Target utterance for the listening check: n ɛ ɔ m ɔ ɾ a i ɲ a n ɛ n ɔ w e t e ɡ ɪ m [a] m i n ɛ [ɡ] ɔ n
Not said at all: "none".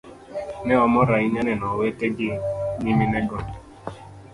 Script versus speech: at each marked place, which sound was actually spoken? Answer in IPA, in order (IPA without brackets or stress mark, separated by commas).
i, ɡ